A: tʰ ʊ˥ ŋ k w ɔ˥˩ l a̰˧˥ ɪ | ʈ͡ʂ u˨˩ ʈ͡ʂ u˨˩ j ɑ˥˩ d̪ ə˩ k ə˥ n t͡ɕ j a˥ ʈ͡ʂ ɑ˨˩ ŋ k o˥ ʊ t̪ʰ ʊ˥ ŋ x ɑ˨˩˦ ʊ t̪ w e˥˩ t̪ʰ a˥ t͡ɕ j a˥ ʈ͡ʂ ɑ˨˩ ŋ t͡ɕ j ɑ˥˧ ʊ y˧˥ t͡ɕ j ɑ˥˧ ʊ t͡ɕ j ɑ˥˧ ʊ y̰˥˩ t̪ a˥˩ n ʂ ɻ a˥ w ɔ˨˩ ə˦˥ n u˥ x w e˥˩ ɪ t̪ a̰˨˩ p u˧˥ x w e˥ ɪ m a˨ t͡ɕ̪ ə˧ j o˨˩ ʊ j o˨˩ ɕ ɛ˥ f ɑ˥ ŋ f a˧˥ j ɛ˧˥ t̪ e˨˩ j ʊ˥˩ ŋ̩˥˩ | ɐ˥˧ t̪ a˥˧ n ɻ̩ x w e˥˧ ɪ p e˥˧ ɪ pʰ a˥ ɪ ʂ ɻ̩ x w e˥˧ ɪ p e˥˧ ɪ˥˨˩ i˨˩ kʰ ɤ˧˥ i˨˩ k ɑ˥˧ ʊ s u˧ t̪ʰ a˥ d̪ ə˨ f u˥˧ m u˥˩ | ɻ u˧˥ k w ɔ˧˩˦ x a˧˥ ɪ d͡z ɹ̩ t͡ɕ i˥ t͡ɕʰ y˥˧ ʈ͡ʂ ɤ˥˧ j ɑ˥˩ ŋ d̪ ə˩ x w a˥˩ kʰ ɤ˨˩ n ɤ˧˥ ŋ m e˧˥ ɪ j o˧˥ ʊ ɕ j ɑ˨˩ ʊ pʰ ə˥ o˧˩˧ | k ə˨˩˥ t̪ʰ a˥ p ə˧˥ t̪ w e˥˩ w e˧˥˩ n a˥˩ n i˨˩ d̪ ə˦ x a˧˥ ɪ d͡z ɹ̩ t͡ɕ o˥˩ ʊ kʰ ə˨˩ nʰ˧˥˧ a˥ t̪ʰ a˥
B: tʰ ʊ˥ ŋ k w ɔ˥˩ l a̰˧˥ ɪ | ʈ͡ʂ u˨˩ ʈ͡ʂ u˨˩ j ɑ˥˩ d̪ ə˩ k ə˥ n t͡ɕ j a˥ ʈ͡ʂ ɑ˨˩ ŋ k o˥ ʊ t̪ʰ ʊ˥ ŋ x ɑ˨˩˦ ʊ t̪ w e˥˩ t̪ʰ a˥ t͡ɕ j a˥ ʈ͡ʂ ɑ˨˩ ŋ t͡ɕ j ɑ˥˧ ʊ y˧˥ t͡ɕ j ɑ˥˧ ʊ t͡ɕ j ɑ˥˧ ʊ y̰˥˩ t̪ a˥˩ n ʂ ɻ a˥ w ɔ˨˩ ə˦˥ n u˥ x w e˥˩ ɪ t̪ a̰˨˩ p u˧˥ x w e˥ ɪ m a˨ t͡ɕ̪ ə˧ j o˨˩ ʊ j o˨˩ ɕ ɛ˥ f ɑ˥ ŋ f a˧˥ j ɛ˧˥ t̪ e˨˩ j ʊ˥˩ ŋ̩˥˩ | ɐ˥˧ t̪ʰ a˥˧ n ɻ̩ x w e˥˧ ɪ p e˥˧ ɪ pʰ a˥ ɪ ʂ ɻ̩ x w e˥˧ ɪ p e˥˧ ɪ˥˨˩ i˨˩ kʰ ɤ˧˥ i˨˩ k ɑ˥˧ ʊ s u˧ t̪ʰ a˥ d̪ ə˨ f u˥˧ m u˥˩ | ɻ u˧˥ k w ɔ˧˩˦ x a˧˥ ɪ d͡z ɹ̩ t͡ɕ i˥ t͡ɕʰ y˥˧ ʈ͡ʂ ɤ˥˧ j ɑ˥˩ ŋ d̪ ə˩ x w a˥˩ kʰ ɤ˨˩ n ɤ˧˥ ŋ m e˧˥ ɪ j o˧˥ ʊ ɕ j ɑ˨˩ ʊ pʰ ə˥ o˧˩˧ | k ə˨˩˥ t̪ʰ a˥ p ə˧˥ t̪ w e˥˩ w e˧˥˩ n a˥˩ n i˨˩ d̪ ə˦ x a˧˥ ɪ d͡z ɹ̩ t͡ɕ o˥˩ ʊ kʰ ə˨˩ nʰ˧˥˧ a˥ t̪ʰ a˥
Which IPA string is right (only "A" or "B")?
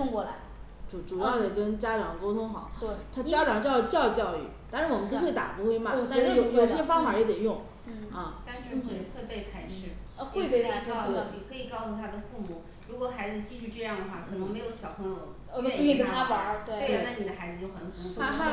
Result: A